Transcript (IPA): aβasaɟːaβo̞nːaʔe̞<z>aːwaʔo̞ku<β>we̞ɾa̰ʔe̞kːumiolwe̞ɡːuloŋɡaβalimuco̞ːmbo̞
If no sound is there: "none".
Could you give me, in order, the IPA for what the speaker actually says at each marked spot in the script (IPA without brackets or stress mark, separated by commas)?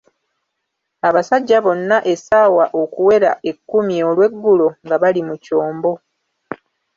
s, none